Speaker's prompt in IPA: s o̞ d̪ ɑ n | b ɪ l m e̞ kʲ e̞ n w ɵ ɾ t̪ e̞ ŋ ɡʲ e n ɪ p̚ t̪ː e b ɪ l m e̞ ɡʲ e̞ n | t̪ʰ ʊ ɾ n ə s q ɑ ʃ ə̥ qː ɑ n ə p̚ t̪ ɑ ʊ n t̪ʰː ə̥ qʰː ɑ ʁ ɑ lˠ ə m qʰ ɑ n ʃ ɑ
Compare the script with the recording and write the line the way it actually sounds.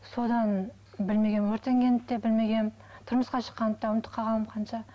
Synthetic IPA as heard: s o̞ d̪ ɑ n | b ɪ l m e̞ ɡʲ e̞ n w ɵ ɾ t̪ e̞ ŋ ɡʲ e n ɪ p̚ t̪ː e b ɪ l m e̞ ɡʲ e̞ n | t̪ʰ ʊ ɾ m ə s q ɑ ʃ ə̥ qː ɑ n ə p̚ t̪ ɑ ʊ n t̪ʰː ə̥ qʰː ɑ ʁ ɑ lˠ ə m qʰ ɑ n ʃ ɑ